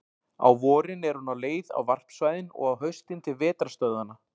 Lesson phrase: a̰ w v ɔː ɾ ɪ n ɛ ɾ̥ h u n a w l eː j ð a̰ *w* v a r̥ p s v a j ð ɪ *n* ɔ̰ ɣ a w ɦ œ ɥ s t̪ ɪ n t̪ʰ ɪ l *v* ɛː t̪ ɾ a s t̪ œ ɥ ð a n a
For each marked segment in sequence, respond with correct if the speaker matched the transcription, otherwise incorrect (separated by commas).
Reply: correct, correct, correct